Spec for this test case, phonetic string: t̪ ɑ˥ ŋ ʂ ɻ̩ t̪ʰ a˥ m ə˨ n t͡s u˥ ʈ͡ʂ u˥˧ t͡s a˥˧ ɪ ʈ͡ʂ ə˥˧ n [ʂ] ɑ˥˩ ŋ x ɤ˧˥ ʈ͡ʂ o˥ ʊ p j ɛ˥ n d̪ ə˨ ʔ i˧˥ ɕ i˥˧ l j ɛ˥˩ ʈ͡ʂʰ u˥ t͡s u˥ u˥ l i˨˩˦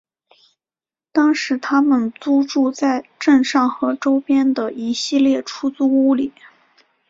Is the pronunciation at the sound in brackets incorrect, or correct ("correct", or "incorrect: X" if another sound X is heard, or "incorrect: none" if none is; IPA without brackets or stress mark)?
correct